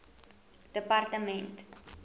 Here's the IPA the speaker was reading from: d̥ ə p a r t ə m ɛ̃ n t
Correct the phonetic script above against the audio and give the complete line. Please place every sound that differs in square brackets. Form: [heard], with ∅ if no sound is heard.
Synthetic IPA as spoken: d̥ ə p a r t ə m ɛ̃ n t